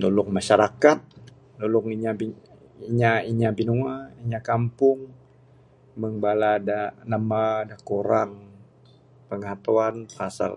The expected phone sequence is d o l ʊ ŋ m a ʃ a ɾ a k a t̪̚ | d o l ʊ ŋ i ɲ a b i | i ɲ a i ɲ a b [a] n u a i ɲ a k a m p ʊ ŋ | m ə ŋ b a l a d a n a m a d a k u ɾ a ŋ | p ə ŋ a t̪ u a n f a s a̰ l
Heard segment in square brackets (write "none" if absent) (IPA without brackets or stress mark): i